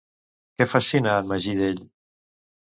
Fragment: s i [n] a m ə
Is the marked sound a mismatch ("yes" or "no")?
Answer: no